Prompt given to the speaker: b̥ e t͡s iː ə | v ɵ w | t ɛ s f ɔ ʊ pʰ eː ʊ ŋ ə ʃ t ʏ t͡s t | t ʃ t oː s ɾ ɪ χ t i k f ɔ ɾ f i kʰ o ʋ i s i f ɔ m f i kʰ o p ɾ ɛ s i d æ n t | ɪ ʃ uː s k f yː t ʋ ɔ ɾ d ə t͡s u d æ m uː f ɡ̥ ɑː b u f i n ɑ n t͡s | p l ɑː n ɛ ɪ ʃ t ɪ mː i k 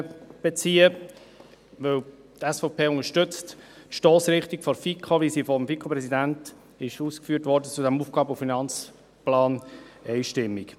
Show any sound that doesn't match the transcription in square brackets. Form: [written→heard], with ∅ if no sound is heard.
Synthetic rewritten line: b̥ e t͡s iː ə | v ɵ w | t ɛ s f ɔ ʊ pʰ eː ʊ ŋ ə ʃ t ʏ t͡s t | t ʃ t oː s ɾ ɪ χ t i k f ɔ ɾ f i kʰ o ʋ i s i f ɔ m f i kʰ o p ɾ ɛ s i d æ n t | ɪ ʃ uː s k f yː t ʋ ɔ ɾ d ə t͡s u d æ m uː f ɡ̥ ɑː b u f i n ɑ n t͡s | p l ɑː n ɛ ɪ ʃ t ɪ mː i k